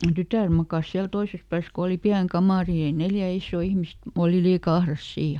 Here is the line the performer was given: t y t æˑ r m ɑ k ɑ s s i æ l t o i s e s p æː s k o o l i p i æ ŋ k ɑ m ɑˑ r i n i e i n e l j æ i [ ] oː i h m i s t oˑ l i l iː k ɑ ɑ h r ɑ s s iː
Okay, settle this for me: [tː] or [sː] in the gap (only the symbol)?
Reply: sː